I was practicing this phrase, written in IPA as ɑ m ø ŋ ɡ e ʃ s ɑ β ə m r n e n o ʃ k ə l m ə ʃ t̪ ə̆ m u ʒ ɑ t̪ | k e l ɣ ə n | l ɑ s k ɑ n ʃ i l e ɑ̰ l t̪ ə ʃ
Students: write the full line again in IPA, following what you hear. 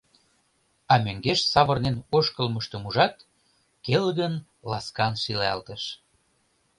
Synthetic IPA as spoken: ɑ m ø ŋ ɡ e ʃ s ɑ β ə r n e n o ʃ k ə l m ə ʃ t̪ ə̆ m u ʒ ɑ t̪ | k e l ɣ ə n | l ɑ s k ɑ n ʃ i l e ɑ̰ l t̪ ə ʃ